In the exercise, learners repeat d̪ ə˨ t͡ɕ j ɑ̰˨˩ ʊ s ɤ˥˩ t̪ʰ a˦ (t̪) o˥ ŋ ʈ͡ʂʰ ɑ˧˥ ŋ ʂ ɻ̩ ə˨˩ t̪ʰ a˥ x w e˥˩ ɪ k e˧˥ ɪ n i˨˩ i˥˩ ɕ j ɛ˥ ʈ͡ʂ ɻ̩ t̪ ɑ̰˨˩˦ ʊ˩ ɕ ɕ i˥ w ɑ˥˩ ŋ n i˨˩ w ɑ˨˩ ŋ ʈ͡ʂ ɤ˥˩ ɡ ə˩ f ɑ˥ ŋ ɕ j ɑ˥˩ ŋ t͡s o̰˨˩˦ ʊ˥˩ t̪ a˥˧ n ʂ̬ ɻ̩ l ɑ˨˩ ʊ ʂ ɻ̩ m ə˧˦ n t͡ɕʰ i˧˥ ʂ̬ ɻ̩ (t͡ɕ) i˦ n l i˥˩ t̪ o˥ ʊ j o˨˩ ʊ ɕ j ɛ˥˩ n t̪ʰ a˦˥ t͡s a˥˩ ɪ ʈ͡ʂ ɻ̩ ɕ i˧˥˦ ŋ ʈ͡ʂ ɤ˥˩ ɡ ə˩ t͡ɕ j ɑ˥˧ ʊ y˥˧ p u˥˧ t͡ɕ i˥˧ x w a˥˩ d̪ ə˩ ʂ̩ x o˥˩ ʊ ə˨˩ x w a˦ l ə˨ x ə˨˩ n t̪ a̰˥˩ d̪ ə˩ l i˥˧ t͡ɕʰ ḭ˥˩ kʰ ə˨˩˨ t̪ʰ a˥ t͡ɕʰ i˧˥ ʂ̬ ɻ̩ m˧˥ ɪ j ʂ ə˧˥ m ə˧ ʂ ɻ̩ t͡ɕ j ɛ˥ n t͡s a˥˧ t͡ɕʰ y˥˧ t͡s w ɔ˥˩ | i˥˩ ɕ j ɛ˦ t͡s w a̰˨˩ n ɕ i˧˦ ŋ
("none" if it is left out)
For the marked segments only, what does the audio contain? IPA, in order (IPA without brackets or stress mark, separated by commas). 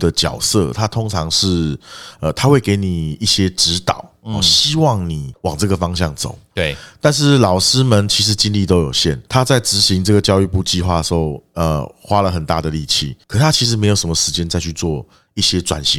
t̪ʰ, t͡ɕ